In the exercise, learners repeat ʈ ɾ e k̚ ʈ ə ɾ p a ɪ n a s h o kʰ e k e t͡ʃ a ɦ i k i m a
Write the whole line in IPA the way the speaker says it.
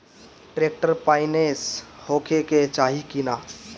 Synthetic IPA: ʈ ɾ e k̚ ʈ ə ɾ p a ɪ n e s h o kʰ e k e t͡ʃ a ɦ i k i n a